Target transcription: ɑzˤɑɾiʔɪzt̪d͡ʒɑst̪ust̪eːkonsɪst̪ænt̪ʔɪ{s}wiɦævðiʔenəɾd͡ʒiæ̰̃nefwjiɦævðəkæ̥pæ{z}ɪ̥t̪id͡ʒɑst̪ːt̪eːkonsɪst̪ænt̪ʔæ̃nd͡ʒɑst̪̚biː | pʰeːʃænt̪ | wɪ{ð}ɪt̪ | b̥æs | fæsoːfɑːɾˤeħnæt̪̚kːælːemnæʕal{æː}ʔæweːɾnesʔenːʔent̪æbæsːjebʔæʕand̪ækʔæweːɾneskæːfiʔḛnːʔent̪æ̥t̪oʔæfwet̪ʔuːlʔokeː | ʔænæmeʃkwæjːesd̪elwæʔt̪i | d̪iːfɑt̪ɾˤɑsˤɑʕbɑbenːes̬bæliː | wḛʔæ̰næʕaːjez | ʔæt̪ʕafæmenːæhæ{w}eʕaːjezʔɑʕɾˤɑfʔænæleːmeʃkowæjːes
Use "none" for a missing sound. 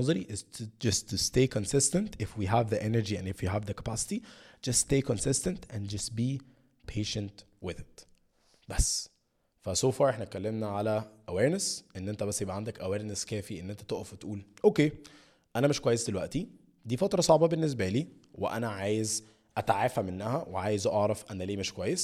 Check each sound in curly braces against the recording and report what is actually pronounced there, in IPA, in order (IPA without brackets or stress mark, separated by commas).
f, s, ð, æ, w